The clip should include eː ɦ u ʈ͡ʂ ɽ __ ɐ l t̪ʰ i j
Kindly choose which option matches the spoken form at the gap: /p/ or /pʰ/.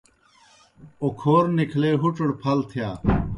pʰ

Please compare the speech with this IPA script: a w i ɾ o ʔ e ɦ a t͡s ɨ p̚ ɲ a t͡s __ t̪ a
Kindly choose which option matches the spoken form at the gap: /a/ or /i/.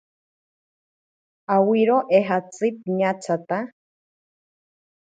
a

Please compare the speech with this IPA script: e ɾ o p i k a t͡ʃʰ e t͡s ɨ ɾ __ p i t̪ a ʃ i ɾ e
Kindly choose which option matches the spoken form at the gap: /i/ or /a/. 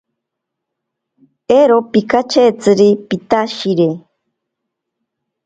i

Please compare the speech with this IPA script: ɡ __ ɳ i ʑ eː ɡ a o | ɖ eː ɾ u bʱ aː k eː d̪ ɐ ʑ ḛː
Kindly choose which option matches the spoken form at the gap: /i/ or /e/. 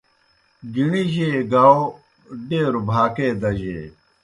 i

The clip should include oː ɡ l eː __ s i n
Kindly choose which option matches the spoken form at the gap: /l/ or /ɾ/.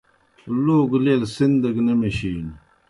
l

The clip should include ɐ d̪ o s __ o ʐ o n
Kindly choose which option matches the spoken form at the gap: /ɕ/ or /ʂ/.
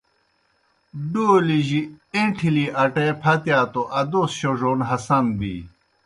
ɕ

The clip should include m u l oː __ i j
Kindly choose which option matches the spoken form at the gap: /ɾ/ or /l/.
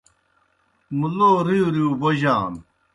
ɾ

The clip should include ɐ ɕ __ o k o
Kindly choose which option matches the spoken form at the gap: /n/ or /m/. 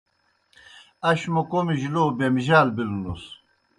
m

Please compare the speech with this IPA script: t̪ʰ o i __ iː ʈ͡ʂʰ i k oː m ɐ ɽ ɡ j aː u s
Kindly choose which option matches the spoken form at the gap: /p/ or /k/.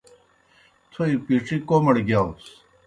p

